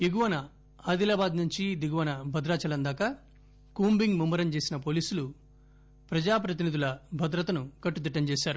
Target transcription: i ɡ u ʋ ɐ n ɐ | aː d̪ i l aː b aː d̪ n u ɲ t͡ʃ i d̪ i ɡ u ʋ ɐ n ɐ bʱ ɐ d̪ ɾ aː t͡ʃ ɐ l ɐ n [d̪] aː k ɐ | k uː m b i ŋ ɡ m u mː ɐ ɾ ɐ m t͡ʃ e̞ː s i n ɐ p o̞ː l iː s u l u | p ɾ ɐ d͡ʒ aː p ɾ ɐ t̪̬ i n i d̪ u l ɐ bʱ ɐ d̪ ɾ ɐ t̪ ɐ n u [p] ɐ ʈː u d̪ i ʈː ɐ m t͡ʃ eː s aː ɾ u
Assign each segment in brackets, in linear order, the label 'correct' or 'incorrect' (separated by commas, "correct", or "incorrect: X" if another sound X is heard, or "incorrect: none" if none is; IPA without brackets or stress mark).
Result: correct, incorrect: k